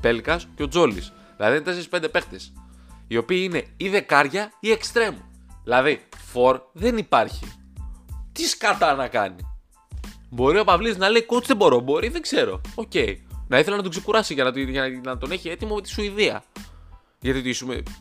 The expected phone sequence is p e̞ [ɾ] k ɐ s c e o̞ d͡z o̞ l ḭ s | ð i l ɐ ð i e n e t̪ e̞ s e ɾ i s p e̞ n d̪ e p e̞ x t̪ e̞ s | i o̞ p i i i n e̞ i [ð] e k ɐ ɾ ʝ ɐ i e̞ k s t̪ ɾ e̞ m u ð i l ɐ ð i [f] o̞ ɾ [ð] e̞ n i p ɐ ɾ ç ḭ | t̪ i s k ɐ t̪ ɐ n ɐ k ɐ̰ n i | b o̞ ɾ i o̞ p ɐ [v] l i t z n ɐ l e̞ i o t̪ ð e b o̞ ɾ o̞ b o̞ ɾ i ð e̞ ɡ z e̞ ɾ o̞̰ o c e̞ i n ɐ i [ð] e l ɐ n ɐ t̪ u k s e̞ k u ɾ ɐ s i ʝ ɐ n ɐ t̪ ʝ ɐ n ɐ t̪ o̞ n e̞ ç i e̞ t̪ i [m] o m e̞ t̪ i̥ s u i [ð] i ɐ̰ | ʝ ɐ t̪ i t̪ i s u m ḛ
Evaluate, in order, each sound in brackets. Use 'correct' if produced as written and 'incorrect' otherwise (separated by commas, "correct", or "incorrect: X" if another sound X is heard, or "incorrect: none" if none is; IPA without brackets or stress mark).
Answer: incorrect: l, correct, correct, correct, correct, incorrect: θ, correct, correct